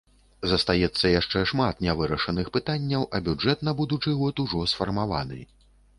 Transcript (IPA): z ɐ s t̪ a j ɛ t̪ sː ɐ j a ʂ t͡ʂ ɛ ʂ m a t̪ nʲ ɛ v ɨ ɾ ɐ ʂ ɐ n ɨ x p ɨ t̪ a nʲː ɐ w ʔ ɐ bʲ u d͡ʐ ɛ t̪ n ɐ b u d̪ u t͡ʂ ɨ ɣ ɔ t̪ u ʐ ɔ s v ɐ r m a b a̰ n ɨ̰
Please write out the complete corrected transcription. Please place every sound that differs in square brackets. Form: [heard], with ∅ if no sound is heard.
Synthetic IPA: z ɐ s t̪ a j ɛ t̪ sː ɐ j a ʂ t͡ʂ ɛ ʂ m a t̪ nʲ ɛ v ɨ ɾ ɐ ʂ ɐ n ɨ x p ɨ t̪ a nʲː ɐ w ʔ ɐ bʲ u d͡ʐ ɛ t̪ n ɐ b u d̪ u t͡ʂ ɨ ɣ ɔ t̪ u ʐ ɔ s [f] ɐ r m a [v] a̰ n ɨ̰